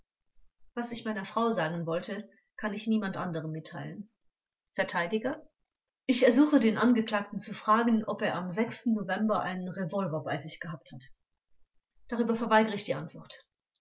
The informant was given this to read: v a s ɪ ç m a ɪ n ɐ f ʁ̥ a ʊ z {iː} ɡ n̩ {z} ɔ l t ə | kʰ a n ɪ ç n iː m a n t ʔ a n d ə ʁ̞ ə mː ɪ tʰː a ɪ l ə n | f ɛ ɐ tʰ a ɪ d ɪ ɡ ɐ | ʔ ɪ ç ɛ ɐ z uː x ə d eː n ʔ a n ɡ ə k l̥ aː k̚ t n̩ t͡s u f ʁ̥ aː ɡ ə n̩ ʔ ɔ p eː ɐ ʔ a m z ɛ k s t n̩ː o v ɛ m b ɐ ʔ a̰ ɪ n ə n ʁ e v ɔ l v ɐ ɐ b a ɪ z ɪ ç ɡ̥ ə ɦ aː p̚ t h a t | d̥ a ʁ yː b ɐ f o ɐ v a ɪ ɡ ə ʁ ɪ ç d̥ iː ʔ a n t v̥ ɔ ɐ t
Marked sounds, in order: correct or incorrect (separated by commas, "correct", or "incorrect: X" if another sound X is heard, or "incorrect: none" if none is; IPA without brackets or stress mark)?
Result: incorrect: aː, incorrect: v